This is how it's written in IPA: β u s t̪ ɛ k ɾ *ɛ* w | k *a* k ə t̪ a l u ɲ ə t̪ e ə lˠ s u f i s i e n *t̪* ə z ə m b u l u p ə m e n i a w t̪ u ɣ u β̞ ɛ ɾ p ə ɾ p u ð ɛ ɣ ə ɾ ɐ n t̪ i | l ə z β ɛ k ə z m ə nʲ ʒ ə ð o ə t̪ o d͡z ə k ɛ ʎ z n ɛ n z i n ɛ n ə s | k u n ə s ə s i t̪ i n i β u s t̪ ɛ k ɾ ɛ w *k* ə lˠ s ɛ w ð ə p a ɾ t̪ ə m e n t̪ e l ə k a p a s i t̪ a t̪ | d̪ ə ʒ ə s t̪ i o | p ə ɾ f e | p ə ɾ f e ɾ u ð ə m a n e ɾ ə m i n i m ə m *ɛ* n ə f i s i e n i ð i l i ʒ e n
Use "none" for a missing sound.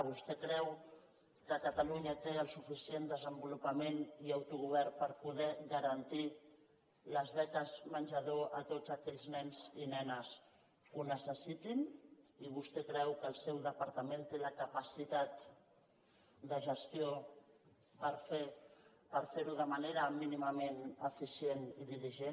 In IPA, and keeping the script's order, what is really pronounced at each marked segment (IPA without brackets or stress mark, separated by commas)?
ɛ, ə, d̪, k, e